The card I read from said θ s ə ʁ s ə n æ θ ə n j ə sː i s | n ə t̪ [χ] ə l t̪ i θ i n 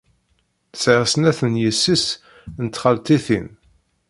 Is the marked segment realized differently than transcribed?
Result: no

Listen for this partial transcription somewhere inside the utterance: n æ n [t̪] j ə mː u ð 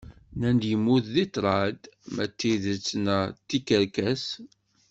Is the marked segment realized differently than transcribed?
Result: yes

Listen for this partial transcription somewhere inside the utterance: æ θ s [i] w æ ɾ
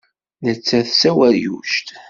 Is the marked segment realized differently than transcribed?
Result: yes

